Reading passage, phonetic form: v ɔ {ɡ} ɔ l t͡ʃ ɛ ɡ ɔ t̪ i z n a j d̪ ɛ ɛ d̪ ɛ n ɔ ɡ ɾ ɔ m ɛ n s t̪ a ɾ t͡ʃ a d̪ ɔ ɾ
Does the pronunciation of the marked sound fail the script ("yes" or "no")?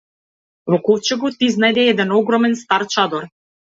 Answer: yes